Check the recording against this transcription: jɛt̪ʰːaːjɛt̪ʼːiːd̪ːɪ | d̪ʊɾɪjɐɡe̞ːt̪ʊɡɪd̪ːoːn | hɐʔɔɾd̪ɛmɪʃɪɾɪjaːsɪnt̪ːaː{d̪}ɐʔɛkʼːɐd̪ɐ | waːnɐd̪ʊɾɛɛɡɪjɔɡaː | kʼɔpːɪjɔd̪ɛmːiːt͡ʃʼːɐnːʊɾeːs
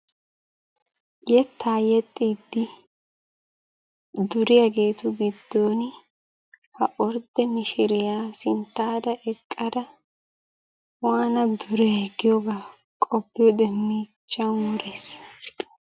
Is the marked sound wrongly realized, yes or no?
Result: no